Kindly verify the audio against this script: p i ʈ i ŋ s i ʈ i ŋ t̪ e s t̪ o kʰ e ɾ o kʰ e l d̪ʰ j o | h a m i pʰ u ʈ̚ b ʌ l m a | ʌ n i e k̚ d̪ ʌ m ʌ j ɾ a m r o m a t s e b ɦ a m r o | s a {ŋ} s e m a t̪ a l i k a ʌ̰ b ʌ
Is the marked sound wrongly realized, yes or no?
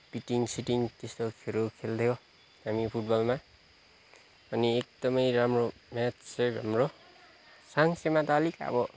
no